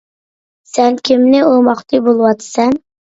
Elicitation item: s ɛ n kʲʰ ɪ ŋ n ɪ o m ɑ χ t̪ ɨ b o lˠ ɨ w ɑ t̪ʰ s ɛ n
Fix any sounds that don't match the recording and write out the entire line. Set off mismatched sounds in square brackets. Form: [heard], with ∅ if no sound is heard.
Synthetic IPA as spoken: s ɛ n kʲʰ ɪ [m] n ɪ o m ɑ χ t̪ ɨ b o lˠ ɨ w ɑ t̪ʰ s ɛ n